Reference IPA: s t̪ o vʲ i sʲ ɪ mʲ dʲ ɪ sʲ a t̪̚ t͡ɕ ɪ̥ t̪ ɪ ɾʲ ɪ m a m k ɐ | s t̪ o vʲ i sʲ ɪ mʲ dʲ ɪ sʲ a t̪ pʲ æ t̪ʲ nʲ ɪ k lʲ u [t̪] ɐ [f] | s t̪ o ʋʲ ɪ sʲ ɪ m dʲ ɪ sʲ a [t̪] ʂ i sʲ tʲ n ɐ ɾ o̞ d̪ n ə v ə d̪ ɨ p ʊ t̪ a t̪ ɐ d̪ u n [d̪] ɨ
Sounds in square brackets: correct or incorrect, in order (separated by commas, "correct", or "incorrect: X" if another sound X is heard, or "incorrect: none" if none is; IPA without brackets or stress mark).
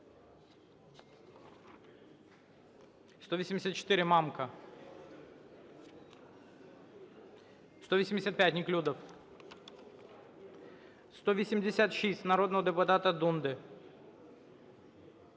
incorrect: d̪, correct, correct, correct